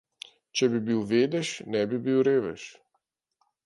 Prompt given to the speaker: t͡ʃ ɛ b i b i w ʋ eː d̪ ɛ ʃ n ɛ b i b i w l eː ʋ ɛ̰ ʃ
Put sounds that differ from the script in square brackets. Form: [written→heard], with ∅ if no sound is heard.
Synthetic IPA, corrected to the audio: t͡ʃ ɛ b i b i w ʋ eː d̪ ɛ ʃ n ɛ b i b i w [l→ɾ] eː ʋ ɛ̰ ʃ